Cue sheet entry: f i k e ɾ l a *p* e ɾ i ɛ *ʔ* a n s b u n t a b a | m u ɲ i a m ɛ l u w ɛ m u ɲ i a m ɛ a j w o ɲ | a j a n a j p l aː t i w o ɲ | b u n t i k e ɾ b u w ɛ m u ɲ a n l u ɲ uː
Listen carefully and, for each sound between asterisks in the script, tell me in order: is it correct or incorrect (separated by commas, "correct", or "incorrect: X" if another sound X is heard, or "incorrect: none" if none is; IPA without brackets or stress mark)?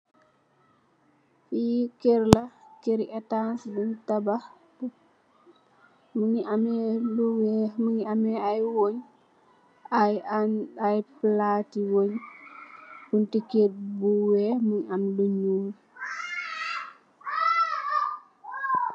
incorrect: k, incorrect: t